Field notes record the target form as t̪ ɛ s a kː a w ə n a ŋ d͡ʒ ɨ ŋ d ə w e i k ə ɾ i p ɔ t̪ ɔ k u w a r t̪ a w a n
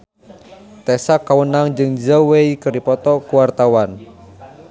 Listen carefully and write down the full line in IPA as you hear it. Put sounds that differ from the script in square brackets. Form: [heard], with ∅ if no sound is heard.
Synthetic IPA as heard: t̪ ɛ s a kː a w ə n a ŋ d͡ʒ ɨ ŋ [d͡ʒ] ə w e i k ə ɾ i p ɔ t̪ ɔ k u w a r t̪ a w a n